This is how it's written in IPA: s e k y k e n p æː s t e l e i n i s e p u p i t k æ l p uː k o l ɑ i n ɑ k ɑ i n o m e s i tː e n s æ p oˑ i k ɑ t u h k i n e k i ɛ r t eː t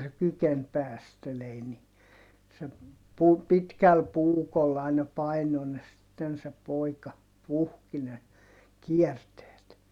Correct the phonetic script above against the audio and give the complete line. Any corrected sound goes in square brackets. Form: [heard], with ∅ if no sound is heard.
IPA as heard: s e k y k e n p æː s t e l e i n i s e p u p i t k æ l p uː k o l ɑ i n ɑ [p] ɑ i n o [n] e s i tː e n s [e] p oˑ i k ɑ [p] u h k i n e k i ɛ r t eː t